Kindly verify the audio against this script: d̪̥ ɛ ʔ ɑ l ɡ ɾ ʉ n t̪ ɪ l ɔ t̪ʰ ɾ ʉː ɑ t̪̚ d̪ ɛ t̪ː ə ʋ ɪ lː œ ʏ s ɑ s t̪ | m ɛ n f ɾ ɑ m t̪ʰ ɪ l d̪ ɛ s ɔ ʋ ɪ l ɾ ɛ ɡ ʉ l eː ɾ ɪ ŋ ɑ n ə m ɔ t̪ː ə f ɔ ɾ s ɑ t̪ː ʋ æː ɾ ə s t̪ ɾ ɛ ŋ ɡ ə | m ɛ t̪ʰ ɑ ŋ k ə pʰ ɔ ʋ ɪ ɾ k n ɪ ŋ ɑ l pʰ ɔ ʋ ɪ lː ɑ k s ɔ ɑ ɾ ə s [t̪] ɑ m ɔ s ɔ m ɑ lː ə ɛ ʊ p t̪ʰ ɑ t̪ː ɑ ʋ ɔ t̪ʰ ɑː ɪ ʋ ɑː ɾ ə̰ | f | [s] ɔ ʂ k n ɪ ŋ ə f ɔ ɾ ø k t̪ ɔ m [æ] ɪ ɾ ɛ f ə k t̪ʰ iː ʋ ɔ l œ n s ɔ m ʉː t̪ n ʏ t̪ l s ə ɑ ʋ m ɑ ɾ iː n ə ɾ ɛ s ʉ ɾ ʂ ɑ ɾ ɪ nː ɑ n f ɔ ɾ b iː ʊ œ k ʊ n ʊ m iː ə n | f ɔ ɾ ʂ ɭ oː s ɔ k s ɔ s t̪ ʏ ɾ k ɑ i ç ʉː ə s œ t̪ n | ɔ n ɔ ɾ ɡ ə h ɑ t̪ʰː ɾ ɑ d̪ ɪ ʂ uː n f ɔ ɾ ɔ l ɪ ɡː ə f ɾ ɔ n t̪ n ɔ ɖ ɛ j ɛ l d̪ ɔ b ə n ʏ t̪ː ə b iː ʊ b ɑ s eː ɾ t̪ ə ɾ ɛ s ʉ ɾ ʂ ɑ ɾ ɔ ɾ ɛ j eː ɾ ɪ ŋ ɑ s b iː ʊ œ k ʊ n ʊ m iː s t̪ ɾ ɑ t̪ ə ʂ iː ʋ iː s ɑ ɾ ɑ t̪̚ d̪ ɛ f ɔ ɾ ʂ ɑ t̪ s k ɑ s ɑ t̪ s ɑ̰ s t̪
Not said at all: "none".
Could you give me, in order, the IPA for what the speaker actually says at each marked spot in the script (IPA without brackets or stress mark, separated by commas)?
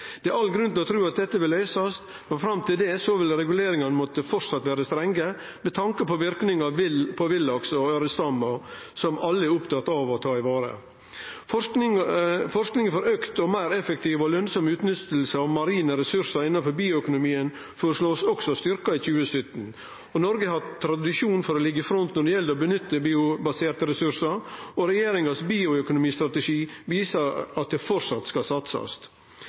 t̪, f, æ